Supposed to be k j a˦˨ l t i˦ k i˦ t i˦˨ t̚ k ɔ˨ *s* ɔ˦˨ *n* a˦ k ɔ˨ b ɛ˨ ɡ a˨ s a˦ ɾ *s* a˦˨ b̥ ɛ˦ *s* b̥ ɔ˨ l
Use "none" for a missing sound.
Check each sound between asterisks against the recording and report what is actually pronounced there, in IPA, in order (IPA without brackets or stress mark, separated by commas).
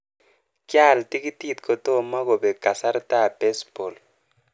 t, m, t, s